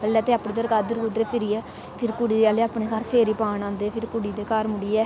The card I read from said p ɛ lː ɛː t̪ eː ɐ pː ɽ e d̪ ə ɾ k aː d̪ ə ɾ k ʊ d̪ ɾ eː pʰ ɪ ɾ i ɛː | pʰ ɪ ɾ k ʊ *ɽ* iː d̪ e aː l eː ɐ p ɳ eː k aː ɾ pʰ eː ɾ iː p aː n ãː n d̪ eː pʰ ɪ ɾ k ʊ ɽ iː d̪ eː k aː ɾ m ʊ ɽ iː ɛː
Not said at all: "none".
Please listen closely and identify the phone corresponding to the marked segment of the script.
ɽ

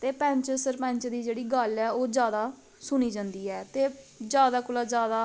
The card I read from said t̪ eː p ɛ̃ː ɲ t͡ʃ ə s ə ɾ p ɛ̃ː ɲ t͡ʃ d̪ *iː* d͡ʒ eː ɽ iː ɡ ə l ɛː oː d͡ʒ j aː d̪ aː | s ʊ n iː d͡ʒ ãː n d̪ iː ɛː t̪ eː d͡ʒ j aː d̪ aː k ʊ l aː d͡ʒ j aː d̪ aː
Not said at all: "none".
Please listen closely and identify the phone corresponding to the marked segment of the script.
iː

